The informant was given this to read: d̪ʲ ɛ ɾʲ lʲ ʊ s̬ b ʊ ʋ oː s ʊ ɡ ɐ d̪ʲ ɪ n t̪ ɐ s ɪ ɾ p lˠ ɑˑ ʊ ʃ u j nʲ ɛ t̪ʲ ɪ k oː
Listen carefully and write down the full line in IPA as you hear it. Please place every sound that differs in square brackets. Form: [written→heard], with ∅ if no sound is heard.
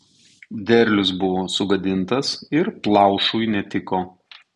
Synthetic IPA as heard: d̪ʲ ɛ ɾʲ lʲ ʊ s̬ b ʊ ʋ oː s ʊ ɡ ɐ d̪ʲ ɪ n t̪ ɐ s ɪ ɾ p lˠ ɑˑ ʊ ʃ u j nʲ ɛ t̪ʲ ɪ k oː

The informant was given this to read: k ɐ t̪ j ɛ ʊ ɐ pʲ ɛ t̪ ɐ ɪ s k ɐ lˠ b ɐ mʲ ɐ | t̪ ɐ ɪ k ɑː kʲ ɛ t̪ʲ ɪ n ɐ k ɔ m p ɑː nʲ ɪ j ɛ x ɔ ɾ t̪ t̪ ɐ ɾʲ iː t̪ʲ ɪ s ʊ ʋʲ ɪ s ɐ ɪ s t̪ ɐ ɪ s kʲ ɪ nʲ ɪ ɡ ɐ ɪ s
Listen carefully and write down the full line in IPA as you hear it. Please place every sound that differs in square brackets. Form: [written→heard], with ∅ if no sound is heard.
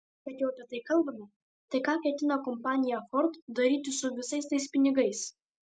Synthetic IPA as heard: k ɐ t̪ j ɛ ʊ ɐ pʲ ɛ t̪ ɐ ɪ [s→∅] k ɐ lˠ b ɐ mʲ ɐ | t̪ ɐ ɪ k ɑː kʲ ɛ t̪ʲ ɪ n ɐ k ɔ m p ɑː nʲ ɪ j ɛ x ɔ ɾ t̪ [t̪→d̪] ɐ ɾʲ iː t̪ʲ ɪ s ʊ ʋʲ ɪ s ɐ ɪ s t̪ ɐ ɪ s [kʲ→pʲ] ɪ nʲ ɪ ɡ ɐ ɪ s

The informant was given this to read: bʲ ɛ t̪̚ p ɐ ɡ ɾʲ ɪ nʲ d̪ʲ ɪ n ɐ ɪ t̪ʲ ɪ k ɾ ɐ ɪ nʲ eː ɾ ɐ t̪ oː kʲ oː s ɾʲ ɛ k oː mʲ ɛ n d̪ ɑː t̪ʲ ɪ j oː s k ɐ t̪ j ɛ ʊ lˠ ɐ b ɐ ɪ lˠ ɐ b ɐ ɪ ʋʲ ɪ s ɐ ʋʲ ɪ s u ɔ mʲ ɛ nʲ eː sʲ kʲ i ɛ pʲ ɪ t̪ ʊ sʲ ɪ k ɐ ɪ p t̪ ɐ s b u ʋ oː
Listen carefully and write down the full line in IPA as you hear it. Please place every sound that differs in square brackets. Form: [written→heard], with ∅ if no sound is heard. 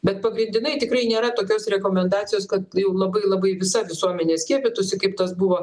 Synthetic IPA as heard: bʲ ɛ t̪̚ p ɐ ɡ ɾʲ ɪ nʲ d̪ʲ ɪ n ɐ ɪ t̪ʲ ɪ k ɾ ɐ ɪ nʲ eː ɾ ɐ t̪ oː kʲ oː s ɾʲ ɛ k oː mʲ ɛ n d̪ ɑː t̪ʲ ɪ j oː s k ɐ t̪ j ɛ ʊ lˠ ɐ b ɐ ɪ lˠ ɐ b ɐ ɪ ʋʲ ɪ s ɐ ʋʲ ɪ s u ɔ mʲ ɛ nʲ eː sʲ kʲ i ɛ pʲ ɪ t̪ ʊ sʲ ɪ k ɐ ɪ p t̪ ɐ s b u ʋ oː

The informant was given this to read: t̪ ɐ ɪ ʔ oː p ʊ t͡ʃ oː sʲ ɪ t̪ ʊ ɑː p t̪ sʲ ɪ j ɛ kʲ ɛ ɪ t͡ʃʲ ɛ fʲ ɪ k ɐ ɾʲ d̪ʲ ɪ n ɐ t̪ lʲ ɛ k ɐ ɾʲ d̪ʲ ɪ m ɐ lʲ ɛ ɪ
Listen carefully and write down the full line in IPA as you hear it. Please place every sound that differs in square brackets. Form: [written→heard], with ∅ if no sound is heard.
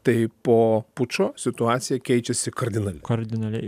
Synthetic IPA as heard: t̪ ɐ ɪ [ʔ→p] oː p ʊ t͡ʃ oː sʲ ɪ t̪ ʊ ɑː [p→∅] t̪ sʲ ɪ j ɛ kʲ ɛ ɪ t͡ʃʲ ɛ [fʲ→sʲ] ɪ k ɐ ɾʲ d̪ʲ ɪ n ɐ [t̪→∅] lʲ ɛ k ɐ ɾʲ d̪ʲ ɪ [m→n] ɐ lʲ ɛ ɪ

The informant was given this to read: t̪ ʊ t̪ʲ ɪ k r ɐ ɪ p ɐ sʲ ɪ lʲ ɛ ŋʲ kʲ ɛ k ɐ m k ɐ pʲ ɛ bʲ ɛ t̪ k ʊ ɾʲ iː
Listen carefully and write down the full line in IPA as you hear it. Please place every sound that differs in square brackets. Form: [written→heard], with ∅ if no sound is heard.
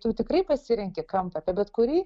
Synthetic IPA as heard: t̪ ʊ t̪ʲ ɪ k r ɐ ɪ p ɐ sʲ ɪ [lʲ→ɾʲ] ɛ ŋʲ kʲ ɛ k ɐ m [k→p] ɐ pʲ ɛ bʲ ɛ t̪ k ʊ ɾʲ iː

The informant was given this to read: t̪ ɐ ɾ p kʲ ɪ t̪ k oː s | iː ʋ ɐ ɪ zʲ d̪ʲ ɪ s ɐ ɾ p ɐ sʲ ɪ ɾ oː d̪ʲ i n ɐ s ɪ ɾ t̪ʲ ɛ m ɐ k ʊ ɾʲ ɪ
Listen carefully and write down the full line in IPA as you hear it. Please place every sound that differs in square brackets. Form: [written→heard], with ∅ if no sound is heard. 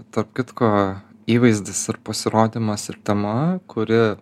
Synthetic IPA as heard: t̪ ɐ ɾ p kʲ ɪ t̪ k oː [s→∅] | iː ʋ ɐ ɪ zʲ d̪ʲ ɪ s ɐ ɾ p ɐ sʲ ɪ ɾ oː d̪ʲ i [n→m] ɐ s ɪ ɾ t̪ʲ ɛ m ɐ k ʊ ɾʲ ɪ

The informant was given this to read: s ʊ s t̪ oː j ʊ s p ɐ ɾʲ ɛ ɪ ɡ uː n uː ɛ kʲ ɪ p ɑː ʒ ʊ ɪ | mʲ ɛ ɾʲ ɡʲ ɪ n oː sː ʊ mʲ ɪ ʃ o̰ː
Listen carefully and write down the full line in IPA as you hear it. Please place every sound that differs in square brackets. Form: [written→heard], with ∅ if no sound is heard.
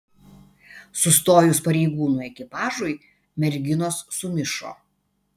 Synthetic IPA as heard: s ʊ s t̪ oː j ʊ s p ɐ ɾʲ ɛ ɪ ɡ uː n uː ɛ kʲ ɪ p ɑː ʒ ʊ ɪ | mʲ ɛ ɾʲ ɡʲ ɪ n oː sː ʊ mʲ ɪ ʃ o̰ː

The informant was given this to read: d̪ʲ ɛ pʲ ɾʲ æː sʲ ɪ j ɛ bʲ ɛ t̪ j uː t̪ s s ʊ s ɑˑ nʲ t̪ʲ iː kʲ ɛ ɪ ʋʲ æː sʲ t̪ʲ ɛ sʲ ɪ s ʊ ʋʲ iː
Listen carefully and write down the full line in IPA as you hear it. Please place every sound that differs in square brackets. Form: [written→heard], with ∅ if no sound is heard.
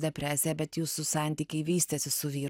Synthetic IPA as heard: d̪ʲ ɛ pʲ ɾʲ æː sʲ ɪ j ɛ bʲ ɛ t̪ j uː [t̪→∅] s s ʊ s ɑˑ nʲ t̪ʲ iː kʲ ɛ ɪ ʋʲ [æː→iː] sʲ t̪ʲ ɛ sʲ ɪ s ʊ ʋʲ iː

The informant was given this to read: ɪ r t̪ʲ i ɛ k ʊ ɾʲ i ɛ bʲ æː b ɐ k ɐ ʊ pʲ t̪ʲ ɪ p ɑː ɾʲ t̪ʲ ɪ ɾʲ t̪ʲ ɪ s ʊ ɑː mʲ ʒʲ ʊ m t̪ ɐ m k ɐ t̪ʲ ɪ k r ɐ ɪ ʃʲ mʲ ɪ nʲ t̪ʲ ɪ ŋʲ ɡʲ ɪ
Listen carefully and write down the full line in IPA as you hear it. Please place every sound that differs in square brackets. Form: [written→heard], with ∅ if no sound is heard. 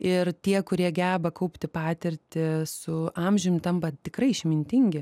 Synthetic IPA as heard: ɪ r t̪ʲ i ɛ k ʊ ɾʲ i ɛ [bʲ→ɡʲ] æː b ɐ k ɐ ʊ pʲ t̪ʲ ɪ p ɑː [ɾʲ→∅] t̪ʲ ɪ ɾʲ t̪ʲ ɪ s ʊ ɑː mʲ ʒʲ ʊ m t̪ ɐ m [k→p] ɐ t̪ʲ ɪ k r ɐ ɪ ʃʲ mʲ ɪ nʲ t̪ʲ ɪ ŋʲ ɡʲ ɪ

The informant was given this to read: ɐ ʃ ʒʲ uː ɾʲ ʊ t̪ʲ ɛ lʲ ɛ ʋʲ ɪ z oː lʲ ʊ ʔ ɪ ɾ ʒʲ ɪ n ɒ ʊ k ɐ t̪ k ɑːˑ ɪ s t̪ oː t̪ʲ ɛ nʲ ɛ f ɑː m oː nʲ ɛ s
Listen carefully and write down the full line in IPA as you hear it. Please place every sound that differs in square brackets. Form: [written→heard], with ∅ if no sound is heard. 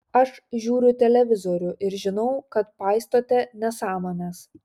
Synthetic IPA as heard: ɐ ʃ ʒʲ uː ɾʲ ʊ t̪ʲ ɛ lʲ ɛ ʋʲ ɪ z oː [lʲ→ɾʲ] ʊ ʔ ɪ ɾ ʒʲ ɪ n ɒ ʊ k ɐ t̪ [k→p] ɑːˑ ɪ s t̪ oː t̪ʲ ɛ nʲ ɛ [f→s] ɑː m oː nʲ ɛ s

